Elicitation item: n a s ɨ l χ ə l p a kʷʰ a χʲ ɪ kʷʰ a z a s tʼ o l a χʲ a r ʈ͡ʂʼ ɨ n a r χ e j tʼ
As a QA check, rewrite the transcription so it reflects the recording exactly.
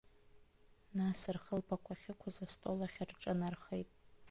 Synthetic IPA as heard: n a s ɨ r χ ə l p a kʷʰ a χʲ ɪ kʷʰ a z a s tʼ o l a χʲ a r ʈ͡ʂʼ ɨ n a r χ e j tʼ